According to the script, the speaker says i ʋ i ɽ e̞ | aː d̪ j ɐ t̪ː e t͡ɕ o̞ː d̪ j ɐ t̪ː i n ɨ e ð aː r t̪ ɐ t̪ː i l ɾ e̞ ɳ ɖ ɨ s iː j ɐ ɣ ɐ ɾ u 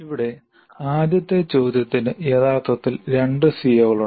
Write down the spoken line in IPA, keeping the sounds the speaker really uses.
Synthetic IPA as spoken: i ʋ i ɽ e̞ | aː d̪ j ɐ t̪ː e t͡ɕ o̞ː d̪ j ɐ t̪ː i n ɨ e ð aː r t̪ ɐ t̪ː i l ɾ e̞ ɳ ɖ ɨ s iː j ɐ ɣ ɐ ɭ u